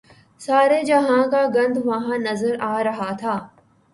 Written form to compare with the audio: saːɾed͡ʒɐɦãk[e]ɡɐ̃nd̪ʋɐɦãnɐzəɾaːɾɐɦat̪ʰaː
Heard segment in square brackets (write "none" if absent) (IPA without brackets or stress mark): a